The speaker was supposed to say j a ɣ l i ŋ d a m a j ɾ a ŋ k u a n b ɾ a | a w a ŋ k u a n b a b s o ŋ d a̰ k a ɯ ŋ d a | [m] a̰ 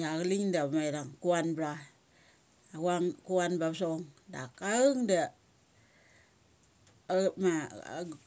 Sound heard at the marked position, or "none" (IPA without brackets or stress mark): m